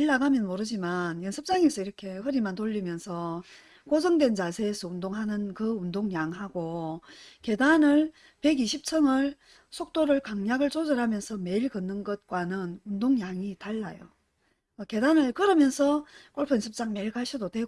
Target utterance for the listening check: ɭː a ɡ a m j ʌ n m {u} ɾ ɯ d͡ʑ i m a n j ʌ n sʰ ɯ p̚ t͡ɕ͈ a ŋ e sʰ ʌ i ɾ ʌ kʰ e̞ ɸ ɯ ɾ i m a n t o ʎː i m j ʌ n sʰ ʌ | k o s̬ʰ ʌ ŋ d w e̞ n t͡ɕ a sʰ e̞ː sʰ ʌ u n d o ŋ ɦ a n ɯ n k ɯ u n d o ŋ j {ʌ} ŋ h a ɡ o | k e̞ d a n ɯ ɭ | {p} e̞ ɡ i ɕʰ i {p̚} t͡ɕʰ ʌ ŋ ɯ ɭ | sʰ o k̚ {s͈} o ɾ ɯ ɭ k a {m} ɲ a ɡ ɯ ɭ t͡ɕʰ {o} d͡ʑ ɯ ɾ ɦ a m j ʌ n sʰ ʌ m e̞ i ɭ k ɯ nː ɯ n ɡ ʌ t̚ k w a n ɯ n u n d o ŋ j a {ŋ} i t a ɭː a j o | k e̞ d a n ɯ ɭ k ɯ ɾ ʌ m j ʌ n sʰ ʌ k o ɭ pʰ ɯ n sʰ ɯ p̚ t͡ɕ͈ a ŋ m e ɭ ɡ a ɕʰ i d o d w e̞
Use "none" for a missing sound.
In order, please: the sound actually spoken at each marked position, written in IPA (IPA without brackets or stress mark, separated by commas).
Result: o, a, p, p̚, t͈, ŋ, o, ŋ